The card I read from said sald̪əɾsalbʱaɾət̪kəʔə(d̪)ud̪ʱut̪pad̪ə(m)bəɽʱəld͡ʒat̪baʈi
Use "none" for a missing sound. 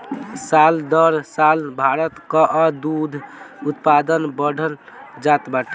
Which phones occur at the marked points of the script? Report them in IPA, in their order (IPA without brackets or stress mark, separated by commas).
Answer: d̪, n